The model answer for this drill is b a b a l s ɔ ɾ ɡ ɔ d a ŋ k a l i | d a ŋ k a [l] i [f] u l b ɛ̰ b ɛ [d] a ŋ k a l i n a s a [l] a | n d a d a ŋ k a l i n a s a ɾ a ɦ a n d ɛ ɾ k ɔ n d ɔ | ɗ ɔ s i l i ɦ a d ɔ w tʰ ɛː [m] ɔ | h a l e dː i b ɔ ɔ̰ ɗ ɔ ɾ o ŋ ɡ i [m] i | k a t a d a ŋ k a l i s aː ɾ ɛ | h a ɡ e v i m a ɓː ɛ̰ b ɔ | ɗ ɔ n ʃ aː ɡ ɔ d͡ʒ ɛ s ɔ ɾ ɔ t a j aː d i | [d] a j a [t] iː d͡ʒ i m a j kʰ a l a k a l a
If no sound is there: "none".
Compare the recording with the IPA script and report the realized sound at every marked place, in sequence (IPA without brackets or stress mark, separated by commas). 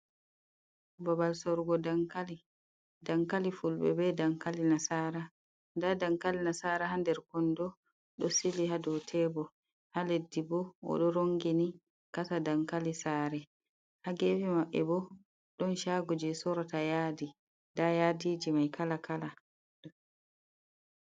l, f, d, ɾ, b, n, d, d